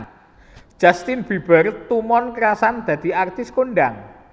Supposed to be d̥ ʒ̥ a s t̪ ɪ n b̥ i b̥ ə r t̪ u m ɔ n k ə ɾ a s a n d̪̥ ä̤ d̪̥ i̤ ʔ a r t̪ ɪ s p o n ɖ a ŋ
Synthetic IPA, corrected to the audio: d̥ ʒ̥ a s t̪ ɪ n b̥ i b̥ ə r t̪ u m ɔ n k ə ɾ a s a n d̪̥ ä̤ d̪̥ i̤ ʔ a r t̪ ɪ s k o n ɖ a ŋ